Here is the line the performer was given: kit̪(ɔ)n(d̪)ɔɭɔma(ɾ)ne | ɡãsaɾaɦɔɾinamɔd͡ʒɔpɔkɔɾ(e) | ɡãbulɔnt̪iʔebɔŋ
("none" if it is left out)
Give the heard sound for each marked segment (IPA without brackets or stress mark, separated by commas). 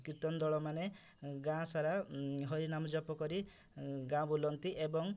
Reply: ɔ, d̪, none, i